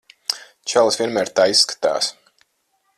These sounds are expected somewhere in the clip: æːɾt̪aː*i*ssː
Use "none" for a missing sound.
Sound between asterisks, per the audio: i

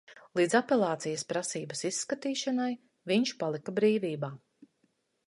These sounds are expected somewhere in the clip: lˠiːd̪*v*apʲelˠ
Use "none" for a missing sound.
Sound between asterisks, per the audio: z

